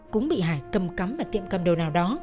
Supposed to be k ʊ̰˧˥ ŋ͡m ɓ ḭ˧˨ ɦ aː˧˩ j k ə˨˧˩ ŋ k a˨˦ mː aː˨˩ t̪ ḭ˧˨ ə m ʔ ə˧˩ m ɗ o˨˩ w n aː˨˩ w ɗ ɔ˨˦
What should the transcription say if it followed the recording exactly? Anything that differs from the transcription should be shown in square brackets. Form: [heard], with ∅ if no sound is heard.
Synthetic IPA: k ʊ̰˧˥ ŋ͡m ɓ ḭ˧˨ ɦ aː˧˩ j k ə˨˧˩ [m] k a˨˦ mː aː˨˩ t̪ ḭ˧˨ ə m [k] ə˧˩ m ɗ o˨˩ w n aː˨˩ w ɗ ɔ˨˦

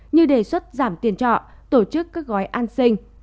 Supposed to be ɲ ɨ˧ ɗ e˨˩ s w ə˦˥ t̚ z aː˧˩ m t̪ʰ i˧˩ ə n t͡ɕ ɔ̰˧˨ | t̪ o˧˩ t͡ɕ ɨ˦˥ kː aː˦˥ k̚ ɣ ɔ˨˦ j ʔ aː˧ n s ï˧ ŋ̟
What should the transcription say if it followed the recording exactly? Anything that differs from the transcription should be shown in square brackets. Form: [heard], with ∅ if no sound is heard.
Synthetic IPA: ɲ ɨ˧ ɗ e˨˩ s w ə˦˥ t̚ z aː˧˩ m [t̪] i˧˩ ə n t͡ɕ ɔ̰˧˨ | t̪ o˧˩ t͡ɕ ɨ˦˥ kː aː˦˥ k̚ ɣ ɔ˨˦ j ʔ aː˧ n s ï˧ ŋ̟

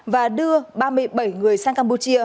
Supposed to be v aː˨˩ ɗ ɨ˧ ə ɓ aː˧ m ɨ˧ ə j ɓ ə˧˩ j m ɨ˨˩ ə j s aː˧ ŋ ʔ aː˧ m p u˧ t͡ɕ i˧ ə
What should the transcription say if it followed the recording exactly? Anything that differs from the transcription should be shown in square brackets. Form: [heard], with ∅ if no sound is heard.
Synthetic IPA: v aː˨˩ ɗ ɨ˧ ə ɓ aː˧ m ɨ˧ ə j ɓ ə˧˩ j [ŋ] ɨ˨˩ ə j s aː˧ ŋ [k] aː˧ m p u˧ t͡ɕ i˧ ə

